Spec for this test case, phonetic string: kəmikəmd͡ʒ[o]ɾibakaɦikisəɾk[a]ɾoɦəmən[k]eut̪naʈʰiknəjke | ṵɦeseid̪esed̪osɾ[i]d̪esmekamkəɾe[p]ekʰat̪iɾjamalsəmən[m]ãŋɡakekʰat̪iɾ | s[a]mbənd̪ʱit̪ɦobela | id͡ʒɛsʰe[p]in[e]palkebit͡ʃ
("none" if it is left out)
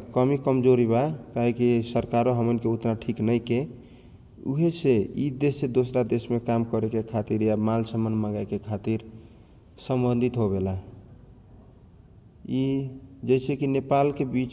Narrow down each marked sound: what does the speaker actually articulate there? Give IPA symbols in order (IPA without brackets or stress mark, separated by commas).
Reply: o, a, k, a, k, m, ə, k, e